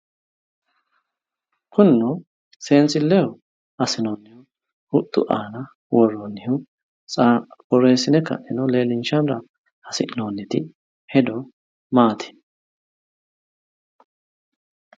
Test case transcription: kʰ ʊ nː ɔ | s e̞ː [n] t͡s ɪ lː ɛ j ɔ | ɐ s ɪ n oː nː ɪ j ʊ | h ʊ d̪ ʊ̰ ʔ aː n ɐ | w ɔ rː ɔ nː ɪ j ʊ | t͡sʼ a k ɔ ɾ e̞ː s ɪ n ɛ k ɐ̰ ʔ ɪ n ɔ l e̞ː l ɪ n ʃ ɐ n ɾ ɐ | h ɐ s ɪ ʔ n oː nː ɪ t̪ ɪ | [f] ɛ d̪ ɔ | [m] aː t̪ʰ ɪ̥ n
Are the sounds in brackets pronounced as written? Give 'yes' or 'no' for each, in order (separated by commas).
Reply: yes, no, yes